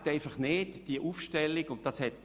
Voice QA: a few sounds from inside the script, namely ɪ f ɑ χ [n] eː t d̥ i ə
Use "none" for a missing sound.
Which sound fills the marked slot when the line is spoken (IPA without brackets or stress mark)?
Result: n